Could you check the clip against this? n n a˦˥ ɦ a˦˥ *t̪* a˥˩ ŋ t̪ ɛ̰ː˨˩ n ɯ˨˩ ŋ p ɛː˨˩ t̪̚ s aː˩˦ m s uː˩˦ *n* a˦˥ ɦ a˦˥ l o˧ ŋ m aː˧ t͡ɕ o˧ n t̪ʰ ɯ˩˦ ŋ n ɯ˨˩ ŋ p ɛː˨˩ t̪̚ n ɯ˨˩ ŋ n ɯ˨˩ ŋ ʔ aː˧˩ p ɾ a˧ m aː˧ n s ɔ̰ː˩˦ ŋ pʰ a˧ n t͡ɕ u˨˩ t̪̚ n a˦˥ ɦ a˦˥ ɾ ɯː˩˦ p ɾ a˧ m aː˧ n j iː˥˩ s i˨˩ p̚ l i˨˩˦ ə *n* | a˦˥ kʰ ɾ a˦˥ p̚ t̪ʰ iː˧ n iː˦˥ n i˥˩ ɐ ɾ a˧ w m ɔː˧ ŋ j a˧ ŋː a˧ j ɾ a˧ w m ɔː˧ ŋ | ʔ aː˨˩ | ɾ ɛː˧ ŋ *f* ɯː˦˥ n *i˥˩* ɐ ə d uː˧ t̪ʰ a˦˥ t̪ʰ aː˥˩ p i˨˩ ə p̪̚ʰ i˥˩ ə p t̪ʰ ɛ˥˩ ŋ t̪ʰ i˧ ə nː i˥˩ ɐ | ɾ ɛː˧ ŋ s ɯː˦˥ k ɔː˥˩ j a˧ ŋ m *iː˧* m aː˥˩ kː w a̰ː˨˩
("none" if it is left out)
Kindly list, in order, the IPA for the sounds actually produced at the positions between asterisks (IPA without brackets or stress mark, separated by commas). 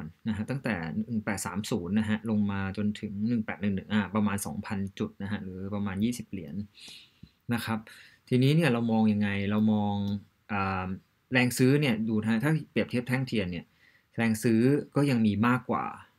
t̪, nː, nː, s, i˥˩, iː˧